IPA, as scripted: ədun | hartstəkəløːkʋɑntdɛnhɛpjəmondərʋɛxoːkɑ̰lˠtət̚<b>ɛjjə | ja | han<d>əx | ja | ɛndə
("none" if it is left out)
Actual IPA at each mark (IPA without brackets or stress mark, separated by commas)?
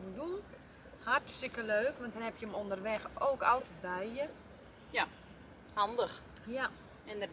b, d